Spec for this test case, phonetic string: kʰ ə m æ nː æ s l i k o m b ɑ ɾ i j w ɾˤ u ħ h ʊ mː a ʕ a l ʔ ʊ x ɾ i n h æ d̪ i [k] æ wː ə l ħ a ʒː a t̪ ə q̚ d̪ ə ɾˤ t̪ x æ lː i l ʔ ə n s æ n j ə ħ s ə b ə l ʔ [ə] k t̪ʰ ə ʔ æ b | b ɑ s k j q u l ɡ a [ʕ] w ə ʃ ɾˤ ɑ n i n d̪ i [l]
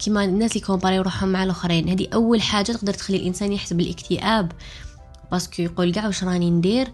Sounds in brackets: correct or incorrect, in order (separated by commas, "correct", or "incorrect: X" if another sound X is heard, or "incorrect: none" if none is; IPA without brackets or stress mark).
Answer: incorrect: ʔ, correct, correct, incorrect: ɾ